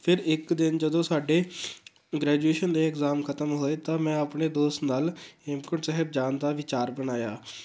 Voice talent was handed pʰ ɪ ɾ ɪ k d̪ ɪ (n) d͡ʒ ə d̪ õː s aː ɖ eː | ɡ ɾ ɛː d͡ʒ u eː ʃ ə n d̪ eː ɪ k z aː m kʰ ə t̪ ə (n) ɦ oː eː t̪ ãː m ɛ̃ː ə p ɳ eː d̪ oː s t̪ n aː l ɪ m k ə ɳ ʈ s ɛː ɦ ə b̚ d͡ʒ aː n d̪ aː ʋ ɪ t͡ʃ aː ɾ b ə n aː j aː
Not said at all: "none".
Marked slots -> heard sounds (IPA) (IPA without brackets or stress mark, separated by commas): n, m